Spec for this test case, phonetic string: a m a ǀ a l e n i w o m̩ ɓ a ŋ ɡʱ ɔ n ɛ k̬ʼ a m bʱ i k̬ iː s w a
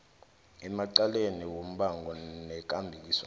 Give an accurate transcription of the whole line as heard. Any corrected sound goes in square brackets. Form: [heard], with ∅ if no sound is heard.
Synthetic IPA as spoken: [ɛ] m a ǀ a l e n i w o m̩ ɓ a ŋ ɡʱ ɔ n ɛ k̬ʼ a m bʱ i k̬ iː s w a

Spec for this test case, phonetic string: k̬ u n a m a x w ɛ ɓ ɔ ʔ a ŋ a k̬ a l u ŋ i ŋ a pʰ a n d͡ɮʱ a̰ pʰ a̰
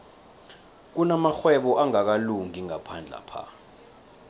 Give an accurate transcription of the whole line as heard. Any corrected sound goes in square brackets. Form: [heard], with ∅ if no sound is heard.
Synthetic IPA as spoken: k̬ u n a m a x w ɛ ɓ ɔ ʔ a ŋ a k̬ a l u ŋ i ŋ a pʰ a n d͡ɮʱ a̰ pʰ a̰

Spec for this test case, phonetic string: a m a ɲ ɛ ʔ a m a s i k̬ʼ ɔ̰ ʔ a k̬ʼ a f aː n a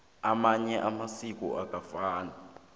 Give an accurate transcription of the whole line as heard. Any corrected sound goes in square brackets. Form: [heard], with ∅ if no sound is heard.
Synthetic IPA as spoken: a m a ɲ ɛ ʔ a m a s i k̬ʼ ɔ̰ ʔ a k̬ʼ a f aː n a

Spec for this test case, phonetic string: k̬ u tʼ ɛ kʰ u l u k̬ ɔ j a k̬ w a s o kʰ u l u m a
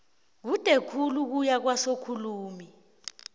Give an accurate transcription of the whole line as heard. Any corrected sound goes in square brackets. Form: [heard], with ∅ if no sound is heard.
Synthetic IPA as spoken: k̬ u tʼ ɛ kʰ u l u k̬ [u] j a k̬ w a s o kʰ u l [uː] m [i]

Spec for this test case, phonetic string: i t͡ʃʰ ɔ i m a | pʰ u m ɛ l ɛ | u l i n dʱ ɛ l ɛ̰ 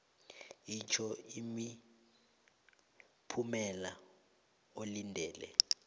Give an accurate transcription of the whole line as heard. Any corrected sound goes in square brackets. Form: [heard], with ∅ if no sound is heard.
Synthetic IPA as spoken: i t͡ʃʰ ɔ i m [i] | pʰ u m ɛ l [a] | [o] l i n dʱ [ɛː] l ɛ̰

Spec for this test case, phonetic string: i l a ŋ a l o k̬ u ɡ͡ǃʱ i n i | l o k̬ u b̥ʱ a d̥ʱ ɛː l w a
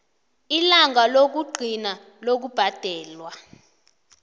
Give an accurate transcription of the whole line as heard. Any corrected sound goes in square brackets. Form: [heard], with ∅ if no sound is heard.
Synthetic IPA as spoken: i l a ŋ a l o k̬ u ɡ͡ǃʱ i n [a] | l o k̬ u b̥ʱ a d̥ʱ ɛː l w a

